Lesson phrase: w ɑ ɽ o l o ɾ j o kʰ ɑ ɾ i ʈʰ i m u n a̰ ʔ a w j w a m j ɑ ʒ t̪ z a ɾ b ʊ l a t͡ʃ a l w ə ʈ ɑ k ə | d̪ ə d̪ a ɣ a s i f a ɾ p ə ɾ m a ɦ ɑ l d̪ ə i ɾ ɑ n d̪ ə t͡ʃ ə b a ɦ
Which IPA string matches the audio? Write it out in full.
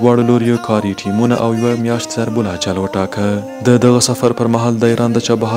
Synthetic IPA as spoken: w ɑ ɽ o l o ɾ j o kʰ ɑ ɾ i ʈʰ i m u n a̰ ʔ a w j w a m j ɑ ʃ t̪ z a ɾ b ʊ l a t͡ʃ a l w ə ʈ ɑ k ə | d̪ ə d̪ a ɣ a s a f a ɾ p ə ɾ m a ɦ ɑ l d̪ ə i ɾ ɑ n d̪ ə t͡ʃ ɑ b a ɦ

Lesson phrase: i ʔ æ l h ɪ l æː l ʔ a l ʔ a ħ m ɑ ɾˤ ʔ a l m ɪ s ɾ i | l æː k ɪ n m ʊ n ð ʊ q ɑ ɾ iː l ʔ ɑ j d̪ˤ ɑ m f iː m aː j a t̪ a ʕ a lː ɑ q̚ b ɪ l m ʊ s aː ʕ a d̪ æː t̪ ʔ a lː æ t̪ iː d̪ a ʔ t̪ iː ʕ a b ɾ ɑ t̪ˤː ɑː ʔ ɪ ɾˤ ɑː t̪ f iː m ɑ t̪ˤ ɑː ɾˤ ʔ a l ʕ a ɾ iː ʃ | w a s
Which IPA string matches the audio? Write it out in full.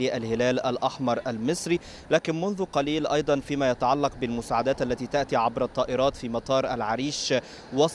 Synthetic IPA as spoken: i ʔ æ l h ɪ l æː l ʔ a l ʔ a ħ m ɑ ɾˤ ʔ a l m ɪ s ɾ i | l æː k ɪ n m ʊ n ð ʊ q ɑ l iː l ʔ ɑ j d̪ˤ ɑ n f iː m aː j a t̪ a ʕ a lː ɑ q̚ b ɪ l m ʊ s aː ʕ a d̪ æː t̪ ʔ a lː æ t̪ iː t̪ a ʔ t̪ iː ʕ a b ɾ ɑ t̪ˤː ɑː ʔ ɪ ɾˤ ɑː t̪ f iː m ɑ t̪ˤ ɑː ɾˤ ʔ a l ʕ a ɾ iː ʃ | w ɑ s

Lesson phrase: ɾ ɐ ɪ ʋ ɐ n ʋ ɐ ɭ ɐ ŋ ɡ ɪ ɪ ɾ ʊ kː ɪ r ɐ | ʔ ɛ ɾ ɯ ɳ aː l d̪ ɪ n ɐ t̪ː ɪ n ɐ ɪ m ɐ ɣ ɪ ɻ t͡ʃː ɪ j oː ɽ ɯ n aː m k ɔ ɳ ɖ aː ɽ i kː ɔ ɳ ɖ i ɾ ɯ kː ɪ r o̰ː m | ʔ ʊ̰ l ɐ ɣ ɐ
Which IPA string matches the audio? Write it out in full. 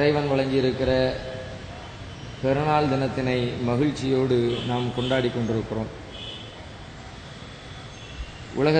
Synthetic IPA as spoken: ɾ ɐ ɪ ʋ ɐ n ʋ ɐ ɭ ɐ ŋ ɡ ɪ ɪ ɾ ɯ kː ɪ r ɐ | p ɛ ɾ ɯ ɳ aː l d̪ ɪ n ɐ t̪ː ɪ n ɐ ɪ m ɐ ɣ ɪ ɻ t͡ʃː ɪ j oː ɽ ɯ n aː m k ɔ ɳ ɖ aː ɽ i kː ɔ ɳ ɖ ɪ ɾ ɯ kː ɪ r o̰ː m | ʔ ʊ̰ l ɐ ɣ ɐ

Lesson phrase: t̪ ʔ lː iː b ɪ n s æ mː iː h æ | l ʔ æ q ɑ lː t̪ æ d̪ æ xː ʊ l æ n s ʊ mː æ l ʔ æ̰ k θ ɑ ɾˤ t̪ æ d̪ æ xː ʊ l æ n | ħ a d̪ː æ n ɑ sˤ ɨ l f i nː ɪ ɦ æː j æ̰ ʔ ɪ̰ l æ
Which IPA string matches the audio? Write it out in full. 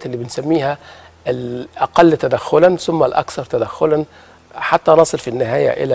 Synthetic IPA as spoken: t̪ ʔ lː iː b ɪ n s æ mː iː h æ | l ʔ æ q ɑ lː t̪ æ d̪ æ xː ʊ l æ n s ʊ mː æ l ʔ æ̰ k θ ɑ ɾˤ t̪ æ d̪ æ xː ʊ l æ n | ħ a t̪ː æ n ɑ sˤ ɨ l f i nː ɪ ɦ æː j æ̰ ʔ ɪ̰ l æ

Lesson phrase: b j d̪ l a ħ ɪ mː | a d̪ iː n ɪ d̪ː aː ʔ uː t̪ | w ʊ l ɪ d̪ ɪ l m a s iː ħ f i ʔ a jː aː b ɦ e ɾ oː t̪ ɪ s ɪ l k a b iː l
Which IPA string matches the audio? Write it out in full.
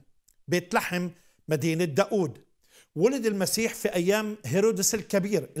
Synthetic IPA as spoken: b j t̪ l a ħ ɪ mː | a d̪ iː n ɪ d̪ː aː ʔ uː d̪ | w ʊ l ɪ d̪ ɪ l m a s iː ħ f i ʔ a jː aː m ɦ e ɾ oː d̪ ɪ s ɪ l k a b iː ɾ

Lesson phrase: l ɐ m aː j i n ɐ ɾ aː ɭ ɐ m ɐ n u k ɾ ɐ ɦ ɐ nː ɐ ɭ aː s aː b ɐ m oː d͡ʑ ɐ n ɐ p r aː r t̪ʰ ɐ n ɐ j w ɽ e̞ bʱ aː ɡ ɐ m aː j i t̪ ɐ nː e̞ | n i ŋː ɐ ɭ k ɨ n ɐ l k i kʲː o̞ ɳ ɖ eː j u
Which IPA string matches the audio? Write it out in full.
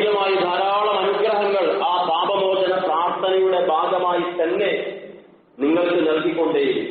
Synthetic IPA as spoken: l ɐ m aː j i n ɐ ɾ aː ɭ ɐ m ɐ n u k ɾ ɐ ɦ ɐ ŋː ɐ ɭ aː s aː b ɐ m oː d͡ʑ ɐ n ɐ p r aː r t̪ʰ ɐ n ɐ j u ɽ e̞ bʱ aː ɡ ɐ m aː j i t̪ ɐ nː e̞ | n i ŋː ɐ ɭ k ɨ n ɐ l k i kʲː o̞ ɳ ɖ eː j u

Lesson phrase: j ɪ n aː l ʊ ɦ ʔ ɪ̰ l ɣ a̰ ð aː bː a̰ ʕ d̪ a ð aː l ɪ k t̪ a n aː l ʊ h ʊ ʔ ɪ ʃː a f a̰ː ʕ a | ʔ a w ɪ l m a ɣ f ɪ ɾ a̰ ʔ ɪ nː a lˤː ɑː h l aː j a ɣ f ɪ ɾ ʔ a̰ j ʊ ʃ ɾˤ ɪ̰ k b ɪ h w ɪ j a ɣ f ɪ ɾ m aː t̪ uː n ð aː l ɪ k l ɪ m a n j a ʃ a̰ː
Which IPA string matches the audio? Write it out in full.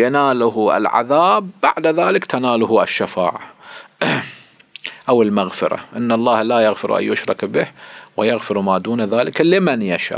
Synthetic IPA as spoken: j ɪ n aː l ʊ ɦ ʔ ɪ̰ l ʕ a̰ ð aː bː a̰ ʕ d̪ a ð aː l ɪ k t̪ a n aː l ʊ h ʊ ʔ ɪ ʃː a f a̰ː ʕ a | ʔ a w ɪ l m a ɣ f ɪ ɾ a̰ ʔ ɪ nː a lˤː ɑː h l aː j a ɣ f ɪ ɾ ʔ a̰ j ʊ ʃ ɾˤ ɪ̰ k b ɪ h w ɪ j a ɣ f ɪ ɾ m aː d̪ uː n ð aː l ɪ k l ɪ m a n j a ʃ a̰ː

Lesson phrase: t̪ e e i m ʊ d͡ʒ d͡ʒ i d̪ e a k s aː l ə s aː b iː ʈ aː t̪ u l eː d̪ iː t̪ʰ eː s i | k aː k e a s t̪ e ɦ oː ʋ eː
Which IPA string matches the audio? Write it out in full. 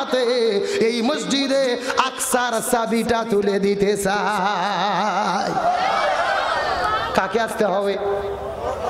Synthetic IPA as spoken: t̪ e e i m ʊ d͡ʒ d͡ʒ i d̪ e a k s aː ɾ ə s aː b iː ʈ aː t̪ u l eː d̪ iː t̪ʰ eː s a | k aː k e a s t̪ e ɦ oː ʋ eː

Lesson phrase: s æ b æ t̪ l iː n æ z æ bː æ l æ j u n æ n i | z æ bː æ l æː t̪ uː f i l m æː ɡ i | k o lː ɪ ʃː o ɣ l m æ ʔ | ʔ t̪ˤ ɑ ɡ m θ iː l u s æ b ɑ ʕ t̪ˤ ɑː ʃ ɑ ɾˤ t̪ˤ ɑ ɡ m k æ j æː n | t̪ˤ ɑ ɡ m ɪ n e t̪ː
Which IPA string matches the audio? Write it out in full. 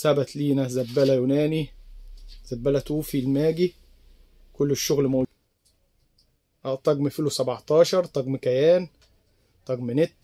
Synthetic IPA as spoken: s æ b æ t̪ l iː n æ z æ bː æ l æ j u n æː n i | z æ bː æ l æ t̪ uː f i l m æː ɡ i | k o lː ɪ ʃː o ɣ l m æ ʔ | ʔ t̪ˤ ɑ ɡ m f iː l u s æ b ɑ ʕ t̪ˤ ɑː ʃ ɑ ɾˤ t̪ˤ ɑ ɡ m k æ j æː n | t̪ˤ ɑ ɡ m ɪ n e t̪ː

